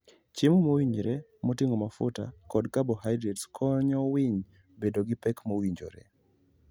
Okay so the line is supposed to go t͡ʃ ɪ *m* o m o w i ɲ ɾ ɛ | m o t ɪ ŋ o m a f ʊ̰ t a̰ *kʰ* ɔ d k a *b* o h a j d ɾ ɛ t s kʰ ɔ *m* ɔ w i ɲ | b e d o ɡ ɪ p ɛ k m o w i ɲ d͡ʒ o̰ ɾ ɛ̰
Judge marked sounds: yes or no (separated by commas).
yes, no, yes, no